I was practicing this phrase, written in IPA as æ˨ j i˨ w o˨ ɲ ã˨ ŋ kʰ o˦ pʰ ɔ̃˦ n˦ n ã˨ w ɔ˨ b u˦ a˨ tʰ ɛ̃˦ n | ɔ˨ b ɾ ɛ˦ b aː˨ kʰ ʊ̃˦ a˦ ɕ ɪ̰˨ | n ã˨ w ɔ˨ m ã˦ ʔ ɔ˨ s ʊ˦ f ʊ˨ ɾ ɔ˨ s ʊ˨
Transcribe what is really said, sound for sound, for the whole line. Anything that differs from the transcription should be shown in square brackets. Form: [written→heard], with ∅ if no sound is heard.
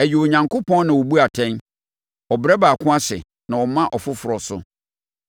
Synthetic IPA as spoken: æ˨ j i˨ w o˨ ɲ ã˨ ŋ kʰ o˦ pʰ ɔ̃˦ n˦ n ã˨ w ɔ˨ b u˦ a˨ tʰ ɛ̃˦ n | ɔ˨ b ɾ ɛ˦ b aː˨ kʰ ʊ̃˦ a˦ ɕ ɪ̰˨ | n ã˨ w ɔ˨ m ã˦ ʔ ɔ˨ [s→f] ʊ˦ f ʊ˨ ɾ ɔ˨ s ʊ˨